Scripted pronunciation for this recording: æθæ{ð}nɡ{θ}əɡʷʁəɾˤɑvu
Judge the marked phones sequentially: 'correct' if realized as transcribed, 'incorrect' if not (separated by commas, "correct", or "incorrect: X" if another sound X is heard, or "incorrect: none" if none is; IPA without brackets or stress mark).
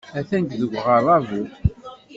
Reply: incorrect: none, incorrect: ð